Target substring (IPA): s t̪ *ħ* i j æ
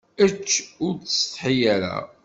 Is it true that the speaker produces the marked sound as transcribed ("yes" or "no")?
yes